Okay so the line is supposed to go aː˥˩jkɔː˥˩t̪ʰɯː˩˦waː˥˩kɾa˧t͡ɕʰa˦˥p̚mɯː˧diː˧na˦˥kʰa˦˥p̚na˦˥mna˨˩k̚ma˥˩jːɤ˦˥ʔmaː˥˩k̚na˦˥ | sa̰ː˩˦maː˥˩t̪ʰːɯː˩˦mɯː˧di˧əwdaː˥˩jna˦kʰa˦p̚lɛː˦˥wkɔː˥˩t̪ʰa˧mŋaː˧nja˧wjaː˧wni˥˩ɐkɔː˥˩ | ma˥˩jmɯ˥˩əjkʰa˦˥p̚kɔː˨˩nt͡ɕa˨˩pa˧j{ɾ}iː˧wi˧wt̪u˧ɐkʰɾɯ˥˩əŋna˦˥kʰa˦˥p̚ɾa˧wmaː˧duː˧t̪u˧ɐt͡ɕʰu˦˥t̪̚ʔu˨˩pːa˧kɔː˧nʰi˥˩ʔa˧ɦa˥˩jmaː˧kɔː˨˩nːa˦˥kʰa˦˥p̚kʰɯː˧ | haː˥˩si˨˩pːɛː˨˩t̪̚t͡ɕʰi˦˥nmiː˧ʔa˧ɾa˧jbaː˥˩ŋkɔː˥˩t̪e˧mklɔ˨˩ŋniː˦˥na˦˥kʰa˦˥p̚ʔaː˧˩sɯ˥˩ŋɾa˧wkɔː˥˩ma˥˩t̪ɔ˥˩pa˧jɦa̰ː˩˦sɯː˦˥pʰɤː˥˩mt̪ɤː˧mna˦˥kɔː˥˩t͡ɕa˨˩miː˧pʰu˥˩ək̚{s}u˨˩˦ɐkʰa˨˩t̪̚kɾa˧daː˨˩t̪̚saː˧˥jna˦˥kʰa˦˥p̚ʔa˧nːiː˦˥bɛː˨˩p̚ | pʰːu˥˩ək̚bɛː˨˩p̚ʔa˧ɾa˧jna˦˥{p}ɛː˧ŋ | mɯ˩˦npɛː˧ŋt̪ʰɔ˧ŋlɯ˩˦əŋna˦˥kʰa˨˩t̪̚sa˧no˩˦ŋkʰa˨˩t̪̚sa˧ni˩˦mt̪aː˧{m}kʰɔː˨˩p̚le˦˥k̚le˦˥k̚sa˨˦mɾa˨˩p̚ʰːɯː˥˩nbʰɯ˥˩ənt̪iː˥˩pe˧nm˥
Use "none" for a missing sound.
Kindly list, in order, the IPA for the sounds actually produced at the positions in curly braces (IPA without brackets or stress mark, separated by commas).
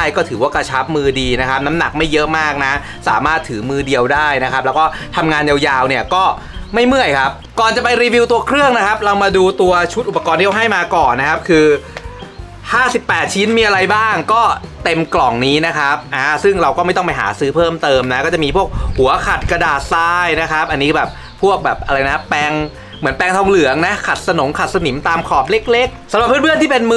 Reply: ɾ, h, p, m